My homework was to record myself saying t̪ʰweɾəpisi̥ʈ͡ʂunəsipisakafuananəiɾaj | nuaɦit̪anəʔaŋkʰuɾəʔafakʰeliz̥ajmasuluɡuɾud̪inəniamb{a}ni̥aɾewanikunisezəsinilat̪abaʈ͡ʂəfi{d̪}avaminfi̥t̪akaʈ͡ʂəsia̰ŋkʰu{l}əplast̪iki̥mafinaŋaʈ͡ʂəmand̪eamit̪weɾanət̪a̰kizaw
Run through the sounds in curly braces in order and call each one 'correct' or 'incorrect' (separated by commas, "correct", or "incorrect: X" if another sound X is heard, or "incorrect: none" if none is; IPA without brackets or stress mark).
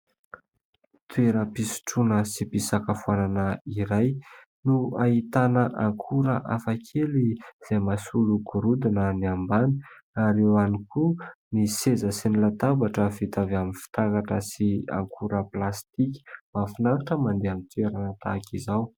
correct, incorrect: t̪, incorrect: ɾ